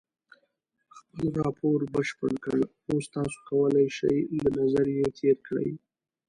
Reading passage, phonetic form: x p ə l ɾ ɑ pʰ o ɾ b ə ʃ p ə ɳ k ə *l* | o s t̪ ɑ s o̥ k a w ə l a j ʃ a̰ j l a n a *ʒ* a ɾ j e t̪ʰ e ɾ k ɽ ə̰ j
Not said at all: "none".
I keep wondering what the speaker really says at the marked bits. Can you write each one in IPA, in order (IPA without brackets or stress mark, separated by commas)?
ɽ, z